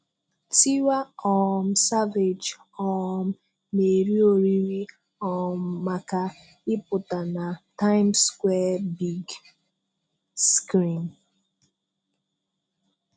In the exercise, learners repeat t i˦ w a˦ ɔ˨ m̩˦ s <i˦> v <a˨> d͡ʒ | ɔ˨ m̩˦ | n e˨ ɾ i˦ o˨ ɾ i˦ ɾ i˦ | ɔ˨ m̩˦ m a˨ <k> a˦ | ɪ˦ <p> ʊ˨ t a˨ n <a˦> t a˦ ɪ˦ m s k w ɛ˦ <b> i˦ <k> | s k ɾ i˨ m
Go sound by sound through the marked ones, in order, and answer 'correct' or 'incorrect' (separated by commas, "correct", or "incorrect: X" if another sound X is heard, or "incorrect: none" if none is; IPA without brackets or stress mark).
incorrect: a˦, incorrect: e˨, correct, correct, incorrect: a˨, correct, incorrect: ɡ